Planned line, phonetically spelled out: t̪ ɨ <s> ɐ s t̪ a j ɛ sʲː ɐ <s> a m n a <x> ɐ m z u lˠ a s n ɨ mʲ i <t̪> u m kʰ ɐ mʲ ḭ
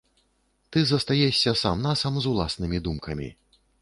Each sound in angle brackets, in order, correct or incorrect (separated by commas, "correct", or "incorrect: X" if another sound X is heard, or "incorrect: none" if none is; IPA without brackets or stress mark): incorrect: z, correct, incorrect: s, incorrect: d̪